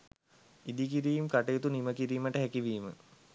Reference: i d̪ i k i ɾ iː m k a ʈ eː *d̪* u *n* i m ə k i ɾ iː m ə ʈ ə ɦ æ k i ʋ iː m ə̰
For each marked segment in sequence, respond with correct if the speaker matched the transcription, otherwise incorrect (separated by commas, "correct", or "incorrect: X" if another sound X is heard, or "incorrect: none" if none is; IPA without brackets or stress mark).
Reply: incorrect: t̪, correct